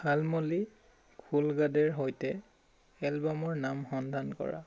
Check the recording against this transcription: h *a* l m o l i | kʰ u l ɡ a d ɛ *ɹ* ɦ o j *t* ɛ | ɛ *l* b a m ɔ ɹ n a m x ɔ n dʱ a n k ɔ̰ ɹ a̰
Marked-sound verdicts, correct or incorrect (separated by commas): correct, correct, correct, correct